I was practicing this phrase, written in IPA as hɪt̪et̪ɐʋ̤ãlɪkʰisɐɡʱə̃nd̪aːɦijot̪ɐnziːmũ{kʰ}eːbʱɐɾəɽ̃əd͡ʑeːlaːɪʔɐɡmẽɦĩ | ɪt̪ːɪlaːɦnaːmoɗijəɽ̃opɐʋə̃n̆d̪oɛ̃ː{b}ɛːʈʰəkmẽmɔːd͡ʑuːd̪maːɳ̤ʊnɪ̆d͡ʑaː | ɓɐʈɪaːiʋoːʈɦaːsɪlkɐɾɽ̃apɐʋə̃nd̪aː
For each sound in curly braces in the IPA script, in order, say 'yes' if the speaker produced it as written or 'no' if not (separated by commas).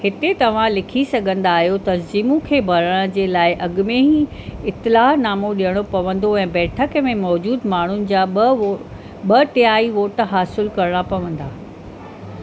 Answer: yes, yes